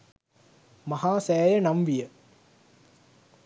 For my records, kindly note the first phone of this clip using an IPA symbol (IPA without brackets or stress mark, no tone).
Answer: m